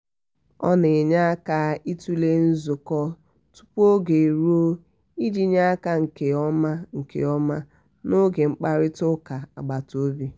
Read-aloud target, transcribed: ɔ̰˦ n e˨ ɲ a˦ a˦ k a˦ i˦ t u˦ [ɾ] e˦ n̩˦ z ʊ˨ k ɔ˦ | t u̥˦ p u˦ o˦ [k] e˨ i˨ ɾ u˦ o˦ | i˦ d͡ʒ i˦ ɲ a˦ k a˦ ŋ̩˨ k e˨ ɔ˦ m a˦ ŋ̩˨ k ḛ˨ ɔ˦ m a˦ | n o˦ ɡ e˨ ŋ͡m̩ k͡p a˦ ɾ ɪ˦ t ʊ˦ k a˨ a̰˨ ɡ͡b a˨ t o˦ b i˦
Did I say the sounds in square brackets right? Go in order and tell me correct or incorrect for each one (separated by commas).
incorrect, incorrect